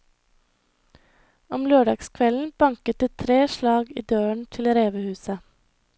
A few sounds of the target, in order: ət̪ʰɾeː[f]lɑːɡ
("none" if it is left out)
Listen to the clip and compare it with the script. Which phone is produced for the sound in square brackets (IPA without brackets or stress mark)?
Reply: ʃ